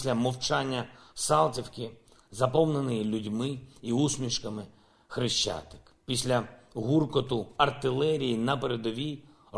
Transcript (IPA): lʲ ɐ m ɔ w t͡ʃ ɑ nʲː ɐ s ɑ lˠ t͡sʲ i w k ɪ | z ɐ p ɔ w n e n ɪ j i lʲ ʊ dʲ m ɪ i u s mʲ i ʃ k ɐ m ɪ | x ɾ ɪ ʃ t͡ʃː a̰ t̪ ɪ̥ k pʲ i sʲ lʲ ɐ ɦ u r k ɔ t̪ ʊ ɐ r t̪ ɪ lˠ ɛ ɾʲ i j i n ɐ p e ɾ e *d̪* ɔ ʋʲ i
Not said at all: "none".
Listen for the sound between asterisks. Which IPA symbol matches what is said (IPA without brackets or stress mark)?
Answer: d̪